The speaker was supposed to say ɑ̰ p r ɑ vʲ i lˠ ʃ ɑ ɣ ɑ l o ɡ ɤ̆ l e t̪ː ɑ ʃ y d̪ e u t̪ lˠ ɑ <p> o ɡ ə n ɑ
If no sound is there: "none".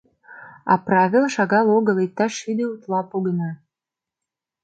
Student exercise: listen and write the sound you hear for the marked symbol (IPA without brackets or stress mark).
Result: p